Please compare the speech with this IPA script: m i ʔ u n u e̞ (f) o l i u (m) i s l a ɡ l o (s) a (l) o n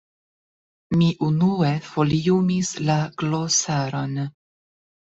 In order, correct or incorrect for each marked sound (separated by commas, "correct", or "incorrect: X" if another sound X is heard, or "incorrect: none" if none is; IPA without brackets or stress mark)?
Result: correct, correct, correct, incorrect: ɾ